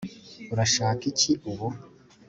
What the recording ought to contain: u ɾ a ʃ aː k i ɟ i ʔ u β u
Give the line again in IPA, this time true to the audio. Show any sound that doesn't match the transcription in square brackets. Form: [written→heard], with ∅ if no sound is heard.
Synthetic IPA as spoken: u ɾ a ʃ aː k i [ɟ→c] i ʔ u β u